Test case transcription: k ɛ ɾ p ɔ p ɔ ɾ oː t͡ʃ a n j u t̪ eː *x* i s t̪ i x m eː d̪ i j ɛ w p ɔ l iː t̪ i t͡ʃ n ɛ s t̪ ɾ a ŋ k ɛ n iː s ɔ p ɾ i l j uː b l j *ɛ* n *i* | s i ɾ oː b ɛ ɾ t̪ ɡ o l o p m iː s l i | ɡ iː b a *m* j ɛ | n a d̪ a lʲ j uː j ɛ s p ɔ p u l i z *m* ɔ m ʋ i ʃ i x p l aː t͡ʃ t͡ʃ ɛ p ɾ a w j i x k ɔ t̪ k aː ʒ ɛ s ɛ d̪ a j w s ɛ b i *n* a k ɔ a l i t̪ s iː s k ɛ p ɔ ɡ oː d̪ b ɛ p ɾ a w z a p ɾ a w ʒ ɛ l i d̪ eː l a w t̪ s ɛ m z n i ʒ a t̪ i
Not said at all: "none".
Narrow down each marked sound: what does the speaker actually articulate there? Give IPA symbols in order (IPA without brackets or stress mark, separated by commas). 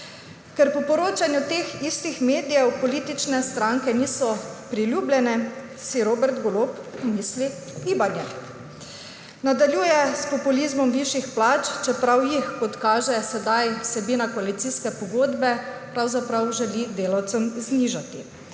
x, ɛ, ɛ, n, m, n